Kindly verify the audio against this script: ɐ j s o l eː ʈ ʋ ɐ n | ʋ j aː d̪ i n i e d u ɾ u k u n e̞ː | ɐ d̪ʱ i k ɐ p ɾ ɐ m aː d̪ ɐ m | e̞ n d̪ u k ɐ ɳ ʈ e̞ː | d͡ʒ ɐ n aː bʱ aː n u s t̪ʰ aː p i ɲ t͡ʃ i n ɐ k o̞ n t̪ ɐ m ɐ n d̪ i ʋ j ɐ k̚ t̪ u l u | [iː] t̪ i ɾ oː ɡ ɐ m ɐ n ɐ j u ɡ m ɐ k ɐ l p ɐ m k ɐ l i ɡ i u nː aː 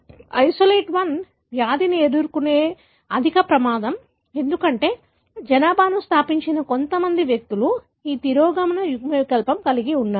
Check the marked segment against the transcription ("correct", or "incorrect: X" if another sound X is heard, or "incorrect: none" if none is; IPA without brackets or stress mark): correct